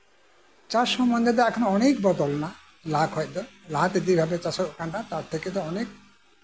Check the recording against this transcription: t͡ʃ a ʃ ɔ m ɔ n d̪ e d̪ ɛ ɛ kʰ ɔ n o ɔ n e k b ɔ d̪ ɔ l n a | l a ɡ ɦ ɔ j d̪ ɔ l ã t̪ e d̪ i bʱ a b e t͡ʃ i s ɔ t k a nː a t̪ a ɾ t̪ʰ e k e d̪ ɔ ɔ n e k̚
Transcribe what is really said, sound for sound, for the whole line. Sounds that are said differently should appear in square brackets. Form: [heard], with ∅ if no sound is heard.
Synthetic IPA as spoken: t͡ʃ a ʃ ɔ m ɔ n d̪ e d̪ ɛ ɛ kʰ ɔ n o ɔ n e k b ɔ d̪ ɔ l n a | l a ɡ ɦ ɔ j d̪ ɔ l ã t̪ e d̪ i bʱ a b e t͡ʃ [a] s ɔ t k a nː a t̪ a ɾ t̪ʰ e k e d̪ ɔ ɔ n e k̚

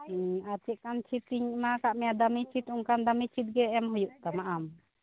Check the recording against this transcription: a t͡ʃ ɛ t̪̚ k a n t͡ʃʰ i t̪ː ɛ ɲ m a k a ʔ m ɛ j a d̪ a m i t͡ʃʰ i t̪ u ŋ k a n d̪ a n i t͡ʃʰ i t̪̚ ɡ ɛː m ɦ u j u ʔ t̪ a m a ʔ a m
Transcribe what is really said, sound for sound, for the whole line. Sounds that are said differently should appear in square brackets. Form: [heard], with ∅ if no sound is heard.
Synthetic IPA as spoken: a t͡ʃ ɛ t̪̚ k a n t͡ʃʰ i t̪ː [i] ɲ m a k a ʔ m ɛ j a d̪ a m i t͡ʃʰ i t̪ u ŋ k a n d̪ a [m] i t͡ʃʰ i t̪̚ ɡ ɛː m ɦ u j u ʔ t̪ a m a ʔ a m

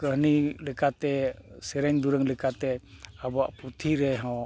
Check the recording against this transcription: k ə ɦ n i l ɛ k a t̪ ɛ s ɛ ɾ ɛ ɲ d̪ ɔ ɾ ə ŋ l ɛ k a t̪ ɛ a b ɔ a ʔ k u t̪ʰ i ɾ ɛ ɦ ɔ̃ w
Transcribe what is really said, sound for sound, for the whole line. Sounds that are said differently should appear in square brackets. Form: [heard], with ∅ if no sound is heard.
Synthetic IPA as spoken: k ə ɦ n i l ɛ k a t̪ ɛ s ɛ ɾ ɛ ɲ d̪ [u] ɾ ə ŋ l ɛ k a t̪ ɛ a b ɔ a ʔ [p] u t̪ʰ i ɾ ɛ ɦ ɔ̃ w

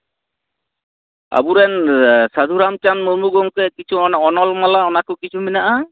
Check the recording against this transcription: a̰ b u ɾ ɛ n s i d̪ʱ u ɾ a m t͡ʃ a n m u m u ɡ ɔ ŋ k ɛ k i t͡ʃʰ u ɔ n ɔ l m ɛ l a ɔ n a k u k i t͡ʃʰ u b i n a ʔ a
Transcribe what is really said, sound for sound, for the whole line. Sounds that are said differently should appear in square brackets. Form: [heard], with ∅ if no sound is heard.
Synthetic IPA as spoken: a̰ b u ɾ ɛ n s [a] d̪ʱ u ɾ a m t͡ʃ a n m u m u ɡ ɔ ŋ k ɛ k i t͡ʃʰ u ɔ n ɔ l m [a] l a ɔ n a k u k i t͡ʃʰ u [m] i n a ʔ a

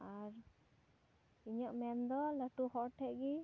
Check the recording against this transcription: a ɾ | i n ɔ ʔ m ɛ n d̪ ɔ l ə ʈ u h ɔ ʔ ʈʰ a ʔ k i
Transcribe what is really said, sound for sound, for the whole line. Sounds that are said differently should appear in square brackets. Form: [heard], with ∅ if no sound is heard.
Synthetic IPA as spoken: a ɾ | i [ɲ] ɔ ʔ m ɛ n d̪ ɔ l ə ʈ u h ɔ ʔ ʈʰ [ɛ] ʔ [ɡ] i

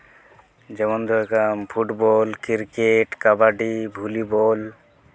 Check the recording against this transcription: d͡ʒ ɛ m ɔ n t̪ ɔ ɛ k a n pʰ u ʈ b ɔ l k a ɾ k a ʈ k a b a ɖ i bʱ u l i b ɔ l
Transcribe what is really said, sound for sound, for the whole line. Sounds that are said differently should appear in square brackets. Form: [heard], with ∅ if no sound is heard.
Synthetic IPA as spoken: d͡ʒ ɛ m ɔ n [d̪] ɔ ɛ k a [m] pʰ u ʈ b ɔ l k [i] ɾ k [e] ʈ k a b a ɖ i bʱ u l i b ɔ l

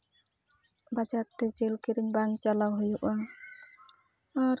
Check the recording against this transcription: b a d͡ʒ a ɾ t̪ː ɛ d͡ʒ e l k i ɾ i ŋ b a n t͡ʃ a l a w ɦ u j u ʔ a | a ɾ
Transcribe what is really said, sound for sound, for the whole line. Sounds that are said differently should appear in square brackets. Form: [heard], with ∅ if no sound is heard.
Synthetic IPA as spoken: b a d͡ʒ a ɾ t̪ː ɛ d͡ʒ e l k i ɾ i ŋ b a [ŋ] t͡ʃ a l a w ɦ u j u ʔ a | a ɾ

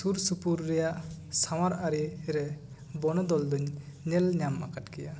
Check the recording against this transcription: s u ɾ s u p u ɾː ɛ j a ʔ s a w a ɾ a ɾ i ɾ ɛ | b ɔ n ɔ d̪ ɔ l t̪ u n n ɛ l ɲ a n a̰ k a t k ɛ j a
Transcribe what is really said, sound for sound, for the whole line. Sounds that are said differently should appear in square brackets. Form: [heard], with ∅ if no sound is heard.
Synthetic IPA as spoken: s u ɾ s u p u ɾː ɛ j a ʔ s a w a ɾ a ɾ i ɾ ɛ | b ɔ n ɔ d̪ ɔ l [d̪] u [ɲ] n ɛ l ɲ a [m] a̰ k a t k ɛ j a

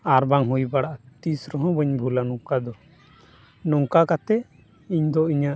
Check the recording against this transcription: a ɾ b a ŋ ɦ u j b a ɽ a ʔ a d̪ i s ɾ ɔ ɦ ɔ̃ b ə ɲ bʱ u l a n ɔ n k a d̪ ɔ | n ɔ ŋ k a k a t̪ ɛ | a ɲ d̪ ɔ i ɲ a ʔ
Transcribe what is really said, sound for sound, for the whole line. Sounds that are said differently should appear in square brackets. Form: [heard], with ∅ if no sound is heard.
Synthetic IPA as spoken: a ɾ b a ŋ ɦ u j b a ɽ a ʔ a [t̪] i s ɾ ɔ ɦ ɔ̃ b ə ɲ bʱ u l a n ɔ [ŋ] k a d̪ ɔ | n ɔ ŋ k a k a t̪ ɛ | [i] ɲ d̪ ɔ i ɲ a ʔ

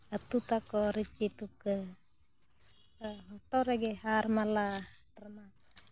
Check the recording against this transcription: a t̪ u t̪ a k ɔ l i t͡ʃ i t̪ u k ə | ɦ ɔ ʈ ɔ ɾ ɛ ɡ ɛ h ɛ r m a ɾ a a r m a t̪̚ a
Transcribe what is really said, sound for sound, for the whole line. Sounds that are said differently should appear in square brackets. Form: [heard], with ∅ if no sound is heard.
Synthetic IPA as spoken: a t̪ u t̪ a k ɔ [ɾ] i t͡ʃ i t̪ u k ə | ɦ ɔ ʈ ɔ ɾ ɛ ɡ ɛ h [a] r m a [l] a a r m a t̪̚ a

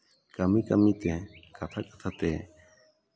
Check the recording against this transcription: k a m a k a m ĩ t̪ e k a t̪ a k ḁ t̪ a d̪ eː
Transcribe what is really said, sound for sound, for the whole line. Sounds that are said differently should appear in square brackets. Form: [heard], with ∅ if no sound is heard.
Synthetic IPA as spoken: k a m [i] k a m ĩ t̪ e k a [t̪ʰ] a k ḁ [t̪ʰ] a [t̪] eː

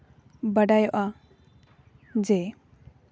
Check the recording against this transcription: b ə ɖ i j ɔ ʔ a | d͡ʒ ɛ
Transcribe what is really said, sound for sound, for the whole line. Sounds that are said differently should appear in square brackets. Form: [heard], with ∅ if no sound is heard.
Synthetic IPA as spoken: b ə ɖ [a] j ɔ ʔ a | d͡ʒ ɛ

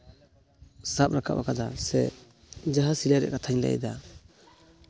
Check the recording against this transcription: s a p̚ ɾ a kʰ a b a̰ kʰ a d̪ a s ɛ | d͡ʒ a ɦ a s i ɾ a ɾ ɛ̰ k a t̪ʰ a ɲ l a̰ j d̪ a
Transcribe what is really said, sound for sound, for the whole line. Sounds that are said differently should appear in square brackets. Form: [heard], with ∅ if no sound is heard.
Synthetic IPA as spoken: s a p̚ ɾ a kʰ a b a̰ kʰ a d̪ a s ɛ | d͡ʒ a ɦ a s i [l] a ɾ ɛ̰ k a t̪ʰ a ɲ l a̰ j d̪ a

